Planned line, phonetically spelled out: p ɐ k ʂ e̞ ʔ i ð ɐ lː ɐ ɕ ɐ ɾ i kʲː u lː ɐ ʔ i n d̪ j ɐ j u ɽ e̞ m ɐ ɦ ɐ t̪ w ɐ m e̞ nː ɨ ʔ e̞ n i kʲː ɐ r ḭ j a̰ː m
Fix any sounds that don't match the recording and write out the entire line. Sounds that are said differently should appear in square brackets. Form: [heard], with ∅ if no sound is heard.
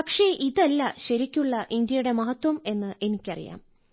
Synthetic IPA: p ɐ k ʂ e̞ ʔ i ð ɐ lː ɐ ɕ ɐ ɾ i kʲː u [ɭː] ɐ ʔ i n d̪ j ɐ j u ɽ e̞ m ɐ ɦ ɐ t̪ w ɐ m e̞ nː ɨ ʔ e̞ n i kʲː ɐ r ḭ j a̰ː m